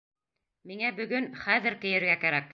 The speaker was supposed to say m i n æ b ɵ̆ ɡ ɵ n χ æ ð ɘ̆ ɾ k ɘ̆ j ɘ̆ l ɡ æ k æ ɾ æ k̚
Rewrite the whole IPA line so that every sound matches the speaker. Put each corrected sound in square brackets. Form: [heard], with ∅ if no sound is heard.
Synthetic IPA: m i [ŋ] æ b ɵ̆ ɡ ɵ n χ æ ð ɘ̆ ɾ k ɘ̆ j ɘ̆ [ɾ] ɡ æ k æ ɾ æ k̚